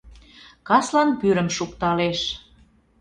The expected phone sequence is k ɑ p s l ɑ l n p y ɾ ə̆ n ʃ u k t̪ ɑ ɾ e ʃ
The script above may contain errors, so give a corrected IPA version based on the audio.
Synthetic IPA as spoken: k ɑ s l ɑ n p y ɾ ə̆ m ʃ u k t̪ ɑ l e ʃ